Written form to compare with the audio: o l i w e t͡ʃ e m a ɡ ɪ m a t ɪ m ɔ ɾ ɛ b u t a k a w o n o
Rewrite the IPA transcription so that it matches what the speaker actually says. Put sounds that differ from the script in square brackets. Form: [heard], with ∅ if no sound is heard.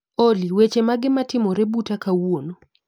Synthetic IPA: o l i w e t͡ʃ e m a ɡ ɪ m a t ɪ m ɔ ɾ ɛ b u t a k a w o n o